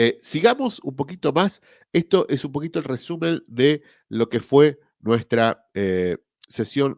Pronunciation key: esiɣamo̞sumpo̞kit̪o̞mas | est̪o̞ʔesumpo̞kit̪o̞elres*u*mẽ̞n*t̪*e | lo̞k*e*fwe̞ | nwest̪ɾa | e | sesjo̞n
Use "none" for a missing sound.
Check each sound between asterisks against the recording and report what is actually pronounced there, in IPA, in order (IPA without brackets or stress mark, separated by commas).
u, d̪, e